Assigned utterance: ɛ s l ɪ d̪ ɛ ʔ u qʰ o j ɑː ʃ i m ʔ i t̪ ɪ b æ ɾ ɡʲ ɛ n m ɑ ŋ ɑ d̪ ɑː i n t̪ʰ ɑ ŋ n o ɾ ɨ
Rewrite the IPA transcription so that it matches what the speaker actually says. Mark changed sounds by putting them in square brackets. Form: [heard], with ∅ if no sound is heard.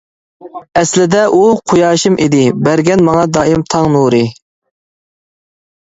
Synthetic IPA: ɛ s l ɪ d̪ ɛ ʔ u qʰ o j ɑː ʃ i m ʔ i [d̪] ɪ b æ ɾ ɡʲ ɛ n m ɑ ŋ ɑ d̪ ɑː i [m] t̪ʰ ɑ ŋ n [u] ɾ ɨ

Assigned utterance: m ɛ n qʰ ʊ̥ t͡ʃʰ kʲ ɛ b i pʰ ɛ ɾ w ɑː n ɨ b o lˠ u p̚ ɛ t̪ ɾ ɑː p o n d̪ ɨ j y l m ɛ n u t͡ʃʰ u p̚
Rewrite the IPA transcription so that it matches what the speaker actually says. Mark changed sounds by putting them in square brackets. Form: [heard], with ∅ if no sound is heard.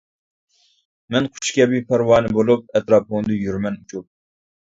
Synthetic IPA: m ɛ n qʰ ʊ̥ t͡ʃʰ kʲ ɛ b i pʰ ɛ ɾ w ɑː n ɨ b o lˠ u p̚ ɛ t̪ ɾ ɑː p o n d̪ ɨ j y [ɾ] m ɛ n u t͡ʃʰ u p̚

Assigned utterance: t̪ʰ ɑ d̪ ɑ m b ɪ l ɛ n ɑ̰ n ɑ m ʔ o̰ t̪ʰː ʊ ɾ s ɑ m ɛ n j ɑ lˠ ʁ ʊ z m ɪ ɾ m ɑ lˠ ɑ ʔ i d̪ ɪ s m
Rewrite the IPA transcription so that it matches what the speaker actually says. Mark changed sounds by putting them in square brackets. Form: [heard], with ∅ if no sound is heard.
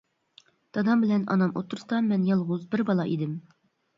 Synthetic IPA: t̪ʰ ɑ d̪ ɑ m b ɪ l ɛ n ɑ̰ n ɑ m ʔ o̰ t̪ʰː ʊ ɾ s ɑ m ɛ n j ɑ lˠ ʁ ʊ z [b] ɪ ɾ [b] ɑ lˠ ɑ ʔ i d̪ ɪ [∅] m

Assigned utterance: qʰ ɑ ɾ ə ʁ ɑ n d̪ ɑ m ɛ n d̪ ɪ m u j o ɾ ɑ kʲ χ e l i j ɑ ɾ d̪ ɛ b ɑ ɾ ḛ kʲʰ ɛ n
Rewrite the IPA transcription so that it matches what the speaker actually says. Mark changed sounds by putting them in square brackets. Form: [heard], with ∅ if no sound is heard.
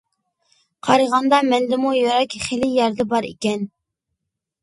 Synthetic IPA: qʰ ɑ ɾ ə ʁ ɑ n d̪ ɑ m ɛ n d̪ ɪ m u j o ɾ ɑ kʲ χ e l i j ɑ ɾ d̪ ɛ b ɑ ɾ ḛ [kʲ] ɛ n

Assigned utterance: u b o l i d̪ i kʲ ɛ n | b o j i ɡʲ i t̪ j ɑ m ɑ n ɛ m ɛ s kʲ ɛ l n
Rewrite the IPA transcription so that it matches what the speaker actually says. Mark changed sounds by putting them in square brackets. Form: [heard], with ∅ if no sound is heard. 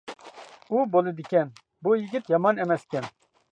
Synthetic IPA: u b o l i d̪ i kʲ ɛ n | b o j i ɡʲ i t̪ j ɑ m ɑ n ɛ m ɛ s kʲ ɛ [∅] n

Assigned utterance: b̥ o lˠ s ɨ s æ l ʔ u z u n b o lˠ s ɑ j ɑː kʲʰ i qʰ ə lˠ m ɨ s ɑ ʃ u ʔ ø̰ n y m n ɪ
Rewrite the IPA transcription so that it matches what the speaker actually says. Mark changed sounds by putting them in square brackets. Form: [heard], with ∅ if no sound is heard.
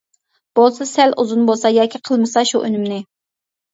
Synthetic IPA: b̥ o lˠ s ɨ s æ l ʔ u z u n b o lˠ s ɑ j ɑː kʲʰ i qʰ ə lˠ m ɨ s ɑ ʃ u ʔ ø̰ n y m n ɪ

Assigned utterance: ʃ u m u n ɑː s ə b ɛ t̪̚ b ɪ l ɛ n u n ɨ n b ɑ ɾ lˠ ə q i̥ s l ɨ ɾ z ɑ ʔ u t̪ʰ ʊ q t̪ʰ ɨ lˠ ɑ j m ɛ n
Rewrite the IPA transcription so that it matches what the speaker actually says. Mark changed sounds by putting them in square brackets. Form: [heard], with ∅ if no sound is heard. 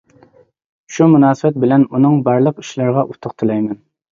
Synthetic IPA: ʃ u m u n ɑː s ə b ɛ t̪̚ b ɪ l ɛ n u n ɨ [ŋ] b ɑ ɾ lˠ ə q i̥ [ʃ] l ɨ ɾ [ʁ] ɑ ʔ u t̪ʰ ʊ q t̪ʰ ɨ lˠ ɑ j m ɛ n

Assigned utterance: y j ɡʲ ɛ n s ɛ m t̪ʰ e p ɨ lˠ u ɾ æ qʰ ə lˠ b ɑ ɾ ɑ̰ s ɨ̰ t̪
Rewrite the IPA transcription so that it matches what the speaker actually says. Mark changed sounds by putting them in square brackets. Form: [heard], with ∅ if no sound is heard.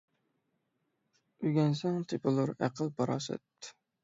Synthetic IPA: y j ɡʲ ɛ n s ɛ [ŋ] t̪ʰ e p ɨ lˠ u ɾ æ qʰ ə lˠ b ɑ ɾ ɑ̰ s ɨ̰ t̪

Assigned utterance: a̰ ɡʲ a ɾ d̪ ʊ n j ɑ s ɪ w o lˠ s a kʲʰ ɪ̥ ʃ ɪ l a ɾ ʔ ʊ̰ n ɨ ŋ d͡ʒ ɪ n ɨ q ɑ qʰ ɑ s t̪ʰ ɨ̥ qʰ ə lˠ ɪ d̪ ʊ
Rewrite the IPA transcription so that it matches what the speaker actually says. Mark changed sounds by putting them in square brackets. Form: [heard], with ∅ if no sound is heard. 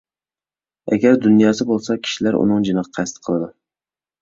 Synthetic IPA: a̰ ɡʲ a ɾ d̪ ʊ n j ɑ s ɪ [b] o lˠ s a kʲʰ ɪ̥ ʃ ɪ l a ɾ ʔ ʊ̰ n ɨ ŋ d͡ʒ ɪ n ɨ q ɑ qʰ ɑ s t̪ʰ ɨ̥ qʰ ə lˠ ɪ d̪ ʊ

